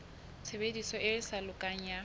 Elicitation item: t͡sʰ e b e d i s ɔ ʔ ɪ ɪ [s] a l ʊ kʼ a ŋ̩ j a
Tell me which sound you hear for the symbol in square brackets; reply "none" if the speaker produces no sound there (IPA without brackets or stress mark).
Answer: s